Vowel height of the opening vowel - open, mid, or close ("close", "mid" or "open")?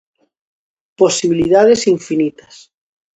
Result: mid